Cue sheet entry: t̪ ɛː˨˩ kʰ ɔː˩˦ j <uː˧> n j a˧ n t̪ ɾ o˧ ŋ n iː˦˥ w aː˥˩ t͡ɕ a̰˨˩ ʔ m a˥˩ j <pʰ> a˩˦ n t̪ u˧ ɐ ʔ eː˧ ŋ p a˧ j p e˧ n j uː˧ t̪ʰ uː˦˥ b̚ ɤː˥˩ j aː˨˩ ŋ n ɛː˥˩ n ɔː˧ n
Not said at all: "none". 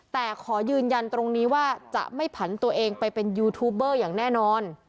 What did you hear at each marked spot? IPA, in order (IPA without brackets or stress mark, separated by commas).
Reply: ɯː˧, pʰ